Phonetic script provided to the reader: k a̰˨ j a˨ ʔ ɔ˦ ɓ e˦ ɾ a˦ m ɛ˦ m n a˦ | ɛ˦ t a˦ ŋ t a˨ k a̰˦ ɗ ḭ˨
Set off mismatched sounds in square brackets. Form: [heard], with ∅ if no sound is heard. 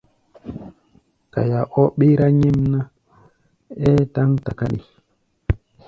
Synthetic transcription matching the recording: k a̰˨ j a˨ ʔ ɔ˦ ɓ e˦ ɾ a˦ [ɲ] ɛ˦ m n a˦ | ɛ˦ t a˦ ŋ t a˨ k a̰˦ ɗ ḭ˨